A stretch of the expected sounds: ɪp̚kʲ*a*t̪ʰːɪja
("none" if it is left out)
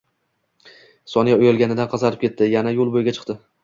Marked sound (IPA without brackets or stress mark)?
e